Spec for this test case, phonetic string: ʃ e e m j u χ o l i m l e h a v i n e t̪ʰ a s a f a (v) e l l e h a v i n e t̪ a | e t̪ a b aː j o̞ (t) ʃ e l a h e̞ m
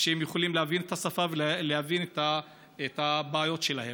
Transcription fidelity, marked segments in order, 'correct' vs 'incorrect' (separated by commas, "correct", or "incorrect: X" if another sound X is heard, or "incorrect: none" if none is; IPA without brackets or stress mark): correct, correct